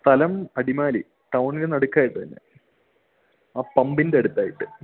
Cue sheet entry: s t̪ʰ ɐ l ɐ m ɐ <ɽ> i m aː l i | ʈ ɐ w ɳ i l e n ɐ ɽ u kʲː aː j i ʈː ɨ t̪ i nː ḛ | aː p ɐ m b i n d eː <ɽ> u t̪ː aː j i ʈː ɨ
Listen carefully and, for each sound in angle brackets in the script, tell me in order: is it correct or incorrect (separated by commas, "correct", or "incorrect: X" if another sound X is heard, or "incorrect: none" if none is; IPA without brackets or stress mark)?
correct, correct